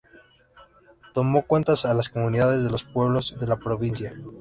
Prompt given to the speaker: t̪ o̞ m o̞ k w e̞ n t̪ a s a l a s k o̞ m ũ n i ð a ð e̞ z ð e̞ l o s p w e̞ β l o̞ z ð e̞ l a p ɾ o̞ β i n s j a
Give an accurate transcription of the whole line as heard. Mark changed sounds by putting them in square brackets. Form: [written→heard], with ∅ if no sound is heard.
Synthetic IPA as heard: t̪ o̞ m o̞ k w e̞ n t̪ a s a l a s k o̞ m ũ n i ð a ð e̞ z ð e̞ l o s p w e̞ β l o̞ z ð e̞ l a p ɾ o̞ β i n s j a

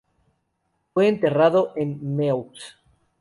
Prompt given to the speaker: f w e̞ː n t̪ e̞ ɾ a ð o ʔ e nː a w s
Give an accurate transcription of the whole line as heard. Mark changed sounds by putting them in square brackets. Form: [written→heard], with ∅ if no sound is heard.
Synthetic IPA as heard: f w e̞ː n t̪ e̞ [ɾ→r] a ð o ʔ e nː [a→e] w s

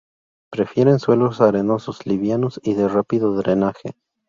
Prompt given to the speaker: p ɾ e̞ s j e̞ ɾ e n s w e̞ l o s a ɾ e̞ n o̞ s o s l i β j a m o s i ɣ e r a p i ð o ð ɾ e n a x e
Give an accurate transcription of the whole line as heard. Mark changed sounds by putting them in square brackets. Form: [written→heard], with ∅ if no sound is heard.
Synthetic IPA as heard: p ɾ e̞ [s→f] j e̞ ɾ e n s w e̞ l o s a ɾ e̞ n o̞ s o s l i β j a [m→n] o s i [ɣ→ð] e r a p i ð o ð ɾ e n a x e

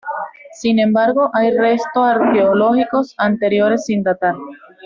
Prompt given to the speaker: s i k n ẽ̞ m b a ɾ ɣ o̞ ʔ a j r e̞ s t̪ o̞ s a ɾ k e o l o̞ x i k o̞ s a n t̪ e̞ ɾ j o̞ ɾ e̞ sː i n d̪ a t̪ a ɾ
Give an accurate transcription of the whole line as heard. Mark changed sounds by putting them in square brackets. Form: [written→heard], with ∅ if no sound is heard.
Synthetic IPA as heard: s i [k→∅] n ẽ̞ m b a ɾ ɣ o̞ ʔ a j r e̞ s t̪ o̞ s a ɾ k e o l o̞ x i k o̞ s a n t̪ e̞ ɾ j o̞ ɾ e̞ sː i n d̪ a t̪ a ɾ

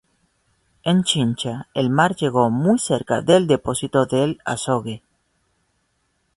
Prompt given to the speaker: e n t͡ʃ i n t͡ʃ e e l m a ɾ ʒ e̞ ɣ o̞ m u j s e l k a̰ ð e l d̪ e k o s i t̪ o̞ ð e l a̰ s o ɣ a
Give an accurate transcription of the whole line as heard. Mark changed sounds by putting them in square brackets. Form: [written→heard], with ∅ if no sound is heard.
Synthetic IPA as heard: e n t͡ʃ i n t͡ʃ [e→a] e l m a ɾ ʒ e̞ ɣ o̞ m u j s e [l→ɾ] k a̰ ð e l d̪ e [k→p] o s i t̪ o̞ ð e l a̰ s o ɣ [a→e]

